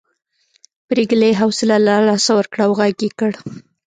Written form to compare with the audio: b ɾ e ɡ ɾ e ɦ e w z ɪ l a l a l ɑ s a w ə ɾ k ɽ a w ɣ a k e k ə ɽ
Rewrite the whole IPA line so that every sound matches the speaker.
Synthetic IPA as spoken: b ɾ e ɡ l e ɦ a w s ɪ l a l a l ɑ s a w ə ɾ k ɽ a w ɣ a ɡ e k ə ɽ